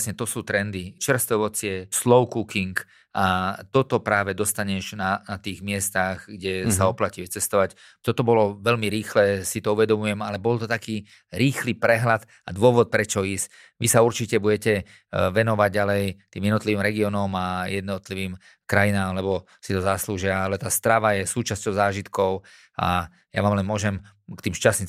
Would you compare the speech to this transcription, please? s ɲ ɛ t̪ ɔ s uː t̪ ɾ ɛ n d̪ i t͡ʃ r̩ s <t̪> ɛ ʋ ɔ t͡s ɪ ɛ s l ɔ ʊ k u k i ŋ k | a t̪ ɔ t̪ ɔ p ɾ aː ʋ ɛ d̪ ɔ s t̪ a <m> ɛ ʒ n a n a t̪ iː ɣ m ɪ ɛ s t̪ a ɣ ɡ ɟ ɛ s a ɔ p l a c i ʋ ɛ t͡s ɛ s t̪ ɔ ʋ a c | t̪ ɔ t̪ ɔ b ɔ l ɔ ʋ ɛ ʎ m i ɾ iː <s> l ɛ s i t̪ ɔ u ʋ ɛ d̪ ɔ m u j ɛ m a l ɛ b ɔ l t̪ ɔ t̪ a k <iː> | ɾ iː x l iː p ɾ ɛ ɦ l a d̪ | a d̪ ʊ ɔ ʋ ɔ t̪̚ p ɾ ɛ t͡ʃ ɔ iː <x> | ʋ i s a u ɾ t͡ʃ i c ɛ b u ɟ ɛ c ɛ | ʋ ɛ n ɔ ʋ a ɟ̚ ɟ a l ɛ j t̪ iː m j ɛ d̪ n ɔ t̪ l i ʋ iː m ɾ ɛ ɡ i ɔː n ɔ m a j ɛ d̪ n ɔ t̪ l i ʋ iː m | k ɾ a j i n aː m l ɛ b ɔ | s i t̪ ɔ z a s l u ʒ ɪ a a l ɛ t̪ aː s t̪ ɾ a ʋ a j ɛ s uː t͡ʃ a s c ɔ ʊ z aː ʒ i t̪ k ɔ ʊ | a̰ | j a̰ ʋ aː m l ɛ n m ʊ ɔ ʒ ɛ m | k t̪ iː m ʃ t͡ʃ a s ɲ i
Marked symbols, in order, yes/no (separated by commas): yes, no, no, yes, no